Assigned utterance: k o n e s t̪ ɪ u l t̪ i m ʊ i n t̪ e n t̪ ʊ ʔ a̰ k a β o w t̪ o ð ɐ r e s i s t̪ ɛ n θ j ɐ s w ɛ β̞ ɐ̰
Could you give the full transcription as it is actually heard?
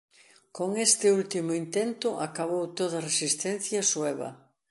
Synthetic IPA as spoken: k o ŋ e s t̪ ɪ u l t̪ i m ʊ i n t̪ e n t̪ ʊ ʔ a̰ k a β o w t̪ o ð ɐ r e s i s t̪ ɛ n θ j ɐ s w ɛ β̞ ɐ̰